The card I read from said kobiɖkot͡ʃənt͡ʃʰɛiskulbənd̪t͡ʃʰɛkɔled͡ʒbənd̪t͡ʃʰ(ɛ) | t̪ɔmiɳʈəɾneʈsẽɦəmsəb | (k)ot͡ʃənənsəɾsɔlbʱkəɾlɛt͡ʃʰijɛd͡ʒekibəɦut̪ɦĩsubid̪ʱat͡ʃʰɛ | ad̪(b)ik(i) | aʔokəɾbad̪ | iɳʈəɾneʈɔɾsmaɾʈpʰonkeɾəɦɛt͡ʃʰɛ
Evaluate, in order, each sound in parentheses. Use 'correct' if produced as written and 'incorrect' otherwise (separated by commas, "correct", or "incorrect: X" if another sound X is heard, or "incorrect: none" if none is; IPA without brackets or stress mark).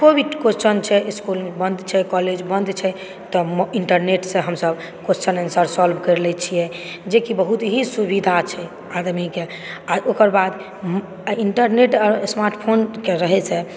correct, correct, incorrect: m, incorrect: e